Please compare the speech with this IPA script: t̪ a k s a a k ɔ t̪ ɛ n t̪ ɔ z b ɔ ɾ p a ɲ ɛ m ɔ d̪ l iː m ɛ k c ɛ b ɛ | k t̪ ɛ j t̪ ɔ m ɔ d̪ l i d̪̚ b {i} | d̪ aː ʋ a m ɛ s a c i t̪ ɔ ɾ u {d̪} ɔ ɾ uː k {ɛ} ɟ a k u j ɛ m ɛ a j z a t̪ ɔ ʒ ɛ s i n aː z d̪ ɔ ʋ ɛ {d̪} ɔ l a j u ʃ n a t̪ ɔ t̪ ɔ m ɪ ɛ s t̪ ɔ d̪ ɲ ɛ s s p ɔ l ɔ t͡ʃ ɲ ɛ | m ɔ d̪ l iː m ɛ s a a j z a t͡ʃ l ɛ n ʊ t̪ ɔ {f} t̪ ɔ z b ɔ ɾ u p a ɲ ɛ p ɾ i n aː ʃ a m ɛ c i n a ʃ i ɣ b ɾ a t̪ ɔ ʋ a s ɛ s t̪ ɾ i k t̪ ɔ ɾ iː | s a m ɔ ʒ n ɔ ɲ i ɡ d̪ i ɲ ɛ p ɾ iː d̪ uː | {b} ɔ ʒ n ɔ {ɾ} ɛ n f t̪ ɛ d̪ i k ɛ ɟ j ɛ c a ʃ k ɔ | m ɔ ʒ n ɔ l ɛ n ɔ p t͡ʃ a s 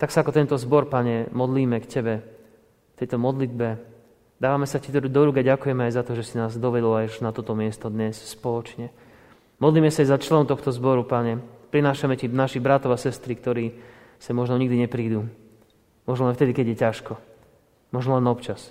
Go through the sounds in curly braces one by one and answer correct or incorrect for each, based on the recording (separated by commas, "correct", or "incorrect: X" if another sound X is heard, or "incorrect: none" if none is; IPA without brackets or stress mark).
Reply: incorrect: ɛ, correct, incorrect: a, correct, incorrect: x, incorrect: m, incorrect: l